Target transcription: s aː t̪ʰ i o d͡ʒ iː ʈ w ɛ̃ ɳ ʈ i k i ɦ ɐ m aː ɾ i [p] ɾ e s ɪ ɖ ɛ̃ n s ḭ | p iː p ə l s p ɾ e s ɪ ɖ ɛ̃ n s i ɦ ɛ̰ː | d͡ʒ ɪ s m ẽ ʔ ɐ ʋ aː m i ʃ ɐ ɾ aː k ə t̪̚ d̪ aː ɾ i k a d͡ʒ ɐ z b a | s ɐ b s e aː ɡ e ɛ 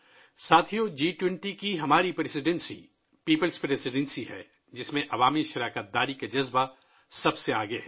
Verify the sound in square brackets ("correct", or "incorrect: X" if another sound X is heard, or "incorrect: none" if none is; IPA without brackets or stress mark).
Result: correct